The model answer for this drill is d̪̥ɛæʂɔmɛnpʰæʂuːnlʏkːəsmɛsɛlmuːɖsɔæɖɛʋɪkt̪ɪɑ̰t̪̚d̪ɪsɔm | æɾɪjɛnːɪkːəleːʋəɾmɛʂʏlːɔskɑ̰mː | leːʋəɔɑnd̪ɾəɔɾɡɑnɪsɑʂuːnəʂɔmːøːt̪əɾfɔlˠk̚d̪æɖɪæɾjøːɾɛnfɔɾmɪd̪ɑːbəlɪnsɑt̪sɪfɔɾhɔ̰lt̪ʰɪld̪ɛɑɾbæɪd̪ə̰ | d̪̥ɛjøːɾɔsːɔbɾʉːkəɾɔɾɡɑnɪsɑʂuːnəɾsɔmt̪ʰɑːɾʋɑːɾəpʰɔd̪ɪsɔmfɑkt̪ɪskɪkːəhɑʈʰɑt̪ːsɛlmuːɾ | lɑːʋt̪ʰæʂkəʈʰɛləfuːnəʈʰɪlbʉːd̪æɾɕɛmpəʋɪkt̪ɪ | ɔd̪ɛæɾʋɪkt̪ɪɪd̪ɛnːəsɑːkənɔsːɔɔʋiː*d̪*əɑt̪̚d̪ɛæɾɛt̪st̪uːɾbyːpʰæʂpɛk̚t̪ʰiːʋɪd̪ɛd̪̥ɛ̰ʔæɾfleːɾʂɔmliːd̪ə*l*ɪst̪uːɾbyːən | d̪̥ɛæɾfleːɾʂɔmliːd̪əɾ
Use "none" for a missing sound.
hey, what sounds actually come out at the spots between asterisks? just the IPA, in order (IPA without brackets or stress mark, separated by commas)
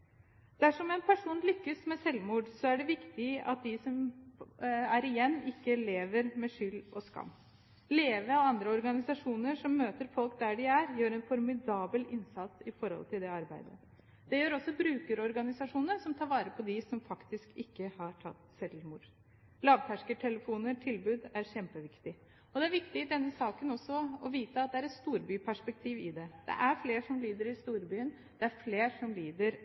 t̪, ɾ